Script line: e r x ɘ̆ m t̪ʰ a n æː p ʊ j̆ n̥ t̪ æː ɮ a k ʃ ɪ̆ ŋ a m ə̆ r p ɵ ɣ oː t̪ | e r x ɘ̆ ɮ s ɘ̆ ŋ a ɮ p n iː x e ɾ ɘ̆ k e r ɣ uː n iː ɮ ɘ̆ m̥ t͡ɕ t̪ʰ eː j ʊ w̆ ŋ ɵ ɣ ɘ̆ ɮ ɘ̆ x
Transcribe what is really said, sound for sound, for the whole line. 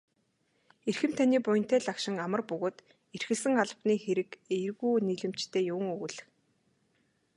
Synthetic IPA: e r x ɘ̆ m t̪ʰ a n iː p ʊ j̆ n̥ t̪ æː ɮ a k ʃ ɪ̆ ŋ a m ə̆ r p ɵ ɣ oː t̪ | e r x ɘ̆ ɮ s ɘ̆ ŋ a ɮ p n iː x e ɾ ɘ̆ k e r ɣ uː n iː ɮ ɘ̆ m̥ t͡ɕ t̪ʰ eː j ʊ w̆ ŋ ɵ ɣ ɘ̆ ɮ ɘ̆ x